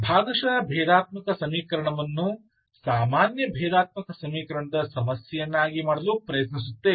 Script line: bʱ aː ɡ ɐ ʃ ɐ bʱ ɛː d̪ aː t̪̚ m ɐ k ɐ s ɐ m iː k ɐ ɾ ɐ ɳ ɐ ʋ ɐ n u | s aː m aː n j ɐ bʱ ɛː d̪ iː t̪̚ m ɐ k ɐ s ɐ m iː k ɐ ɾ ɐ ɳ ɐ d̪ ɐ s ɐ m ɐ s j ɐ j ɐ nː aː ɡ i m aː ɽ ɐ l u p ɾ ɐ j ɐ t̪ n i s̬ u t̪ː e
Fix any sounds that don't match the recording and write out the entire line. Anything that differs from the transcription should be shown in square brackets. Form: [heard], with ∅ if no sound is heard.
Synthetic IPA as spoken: bʱ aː ɡ ɐ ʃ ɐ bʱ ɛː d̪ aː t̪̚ m ɐ k ɐ s ɐ m iː k ɐ ɾ ɐ ɳ ɐ ʋ ɐ [nː] u | s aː m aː n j ɐ bʱ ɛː d̪ [aː] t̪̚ m ɐ k ɐ s ɐ m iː k ɐ ɾ ɐ ɳ ɐ d̪ ɐ s ɐ m ɐ s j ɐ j ɐ nː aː ɡ i m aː ɽ ɐ l u p ɾ ɐ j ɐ t̪ n i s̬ u t̪ː e